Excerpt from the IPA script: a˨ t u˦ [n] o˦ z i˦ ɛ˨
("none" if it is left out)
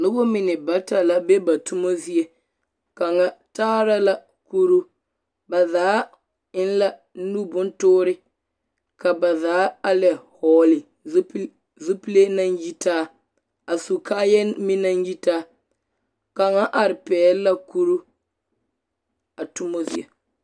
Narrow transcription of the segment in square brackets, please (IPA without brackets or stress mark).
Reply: m